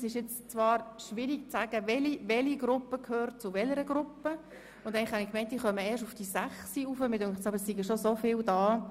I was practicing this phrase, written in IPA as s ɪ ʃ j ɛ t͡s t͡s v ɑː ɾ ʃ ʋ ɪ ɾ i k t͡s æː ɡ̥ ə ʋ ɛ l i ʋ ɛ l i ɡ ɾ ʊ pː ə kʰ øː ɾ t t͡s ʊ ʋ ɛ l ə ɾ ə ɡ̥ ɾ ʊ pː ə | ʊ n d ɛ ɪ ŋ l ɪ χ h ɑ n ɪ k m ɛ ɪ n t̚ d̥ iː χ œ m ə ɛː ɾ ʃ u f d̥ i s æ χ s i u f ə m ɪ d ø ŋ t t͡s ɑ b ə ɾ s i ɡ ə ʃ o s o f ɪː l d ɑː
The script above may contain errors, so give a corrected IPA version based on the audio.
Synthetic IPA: s ɪ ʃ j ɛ t͡s t͡s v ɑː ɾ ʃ ʋ ɪ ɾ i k t͡s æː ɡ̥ ə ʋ ɛ l i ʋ ɛ l i ɡ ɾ ʊ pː ə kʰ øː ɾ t t͡s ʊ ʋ ɛ l ə ɾ ə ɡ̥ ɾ ʊ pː ə | ʊ n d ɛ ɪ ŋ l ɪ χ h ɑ n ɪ k m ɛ ɪ n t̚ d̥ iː χ œ m ə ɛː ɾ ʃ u f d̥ i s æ χ s i u f ə m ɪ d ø ŋ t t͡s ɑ b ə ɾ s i ɡ ə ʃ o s o f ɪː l d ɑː